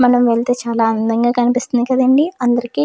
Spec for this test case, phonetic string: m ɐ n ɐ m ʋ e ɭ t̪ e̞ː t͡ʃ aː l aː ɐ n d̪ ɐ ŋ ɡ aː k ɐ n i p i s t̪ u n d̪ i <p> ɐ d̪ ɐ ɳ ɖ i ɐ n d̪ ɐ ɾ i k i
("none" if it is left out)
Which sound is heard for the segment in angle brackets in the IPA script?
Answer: k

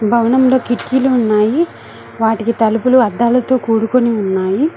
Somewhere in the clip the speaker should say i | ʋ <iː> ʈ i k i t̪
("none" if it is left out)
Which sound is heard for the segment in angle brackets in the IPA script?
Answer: aː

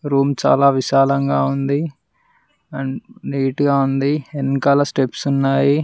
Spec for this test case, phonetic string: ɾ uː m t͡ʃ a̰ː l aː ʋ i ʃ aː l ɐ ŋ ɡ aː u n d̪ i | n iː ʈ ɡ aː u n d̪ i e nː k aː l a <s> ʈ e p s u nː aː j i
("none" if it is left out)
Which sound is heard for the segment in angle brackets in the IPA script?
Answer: s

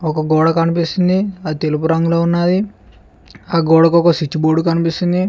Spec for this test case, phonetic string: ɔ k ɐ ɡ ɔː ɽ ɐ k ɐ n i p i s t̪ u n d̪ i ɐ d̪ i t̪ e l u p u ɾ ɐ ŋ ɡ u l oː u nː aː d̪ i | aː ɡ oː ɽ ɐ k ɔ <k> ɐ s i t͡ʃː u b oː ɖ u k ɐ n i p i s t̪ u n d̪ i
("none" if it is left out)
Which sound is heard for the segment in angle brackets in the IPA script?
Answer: k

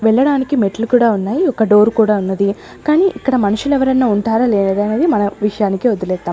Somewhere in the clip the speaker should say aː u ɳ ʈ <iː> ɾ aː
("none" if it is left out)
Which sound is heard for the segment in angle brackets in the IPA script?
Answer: aː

